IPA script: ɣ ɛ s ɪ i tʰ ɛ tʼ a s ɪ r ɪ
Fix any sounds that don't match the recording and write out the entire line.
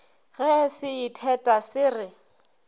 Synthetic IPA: ɣ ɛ s ɪ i tʰ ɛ tʼ a s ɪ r ɪ